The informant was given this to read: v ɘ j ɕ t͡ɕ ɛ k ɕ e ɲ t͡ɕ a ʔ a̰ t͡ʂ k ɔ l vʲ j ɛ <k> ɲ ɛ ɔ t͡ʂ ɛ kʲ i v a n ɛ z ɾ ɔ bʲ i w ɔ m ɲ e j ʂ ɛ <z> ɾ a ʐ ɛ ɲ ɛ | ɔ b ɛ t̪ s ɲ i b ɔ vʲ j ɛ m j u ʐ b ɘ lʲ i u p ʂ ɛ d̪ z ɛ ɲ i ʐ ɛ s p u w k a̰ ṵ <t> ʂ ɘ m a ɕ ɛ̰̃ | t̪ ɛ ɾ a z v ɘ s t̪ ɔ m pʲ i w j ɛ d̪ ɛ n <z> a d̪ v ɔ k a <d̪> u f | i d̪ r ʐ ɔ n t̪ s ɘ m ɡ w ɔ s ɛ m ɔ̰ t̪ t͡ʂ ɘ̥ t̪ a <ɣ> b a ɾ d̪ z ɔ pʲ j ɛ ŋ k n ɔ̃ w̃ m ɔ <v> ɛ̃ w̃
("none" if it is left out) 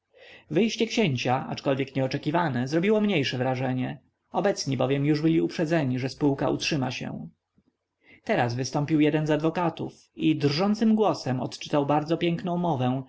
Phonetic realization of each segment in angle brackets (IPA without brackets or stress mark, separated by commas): k, v, t, z, t̪, w, v